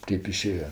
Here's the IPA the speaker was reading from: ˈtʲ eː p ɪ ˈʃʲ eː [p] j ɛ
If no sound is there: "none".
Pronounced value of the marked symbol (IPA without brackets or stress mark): none